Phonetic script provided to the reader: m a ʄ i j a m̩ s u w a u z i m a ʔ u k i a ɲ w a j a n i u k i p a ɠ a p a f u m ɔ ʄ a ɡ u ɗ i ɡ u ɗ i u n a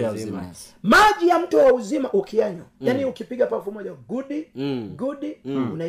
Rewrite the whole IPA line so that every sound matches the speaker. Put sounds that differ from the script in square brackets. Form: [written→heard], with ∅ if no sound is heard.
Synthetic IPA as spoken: m a ʄ i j a m̩ [s→t] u w a u z i m a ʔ u k i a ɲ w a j a n i u k i p [a→i] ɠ a p a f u m ɔ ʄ a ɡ u ɗ i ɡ u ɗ i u n a